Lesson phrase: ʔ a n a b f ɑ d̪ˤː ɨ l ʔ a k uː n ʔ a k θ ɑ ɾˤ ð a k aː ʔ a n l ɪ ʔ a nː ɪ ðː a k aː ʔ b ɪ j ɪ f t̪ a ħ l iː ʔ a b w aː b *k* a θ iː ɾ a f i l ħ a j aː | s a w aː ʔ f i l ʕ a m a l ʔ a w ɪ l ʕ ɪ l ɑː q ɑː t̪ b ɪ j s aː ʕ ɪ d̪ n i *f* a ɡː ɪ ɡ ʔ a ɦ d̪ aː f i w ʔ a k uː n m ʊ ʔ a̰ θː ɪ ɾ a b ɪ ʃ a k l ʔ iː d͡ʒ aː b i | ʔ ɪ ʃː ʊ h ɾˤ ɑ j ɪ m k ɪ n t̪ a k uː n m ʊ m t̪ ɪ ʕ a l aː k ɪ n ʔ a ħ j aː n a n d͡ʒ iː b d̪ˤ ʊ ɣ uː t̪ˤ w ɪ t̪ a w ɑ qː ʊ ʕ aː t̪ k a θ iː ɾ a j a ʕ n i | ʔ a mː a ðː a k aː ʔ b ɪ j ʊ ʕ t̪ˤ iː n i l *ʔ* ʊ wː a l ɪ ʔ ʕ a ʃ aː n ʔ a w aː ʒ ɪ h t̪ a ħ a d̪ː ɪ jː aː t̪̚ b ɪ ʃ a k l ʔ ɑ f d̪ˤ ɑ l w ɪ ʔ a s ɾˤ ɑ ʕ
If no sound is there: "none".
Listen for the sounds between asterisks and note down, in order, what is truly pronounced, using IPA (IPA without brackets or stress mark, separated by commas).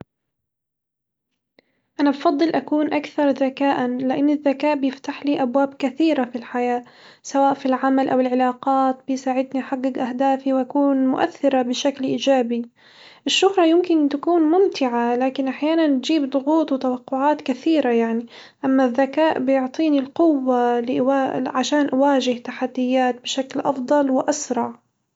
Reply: k, ħ, q